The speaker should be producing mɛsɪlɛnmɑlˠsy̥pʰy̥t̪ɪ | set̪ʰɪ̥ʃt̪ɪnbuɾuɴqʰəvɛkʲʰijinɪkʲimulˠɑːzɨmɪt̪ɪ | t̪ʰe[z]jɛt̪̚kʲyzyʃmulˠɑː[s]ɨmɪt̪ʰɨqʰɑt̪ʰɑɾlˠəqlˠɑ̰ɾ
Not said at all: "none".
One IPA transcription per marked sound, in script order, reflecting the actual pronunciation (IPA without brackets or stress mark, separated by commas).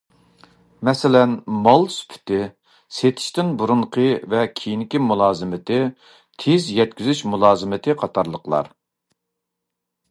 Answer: z, z